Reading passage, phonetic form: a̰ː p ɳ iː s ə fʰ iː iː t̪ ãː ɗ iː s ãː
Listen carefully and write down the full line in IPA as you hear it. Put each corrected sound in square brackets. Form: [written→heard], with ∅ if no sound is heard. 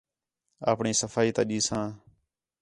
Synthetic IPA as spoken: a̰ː p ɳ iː s ə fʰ [iː→aː] iː t̪ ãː ɗ iː s ãː